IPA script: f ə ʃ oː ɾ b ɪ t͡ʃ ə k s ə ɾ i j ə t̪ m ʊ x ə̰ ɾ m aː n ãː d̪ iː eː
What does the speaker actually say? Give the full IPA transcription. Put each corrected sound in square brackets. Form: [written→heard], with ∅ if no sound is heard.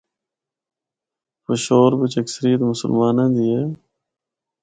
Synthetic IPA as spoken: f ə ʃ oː ɾ b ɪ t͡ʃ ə k s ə ɾ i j ə t̪ m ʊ [x→s] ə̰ [ɾ→l] m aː n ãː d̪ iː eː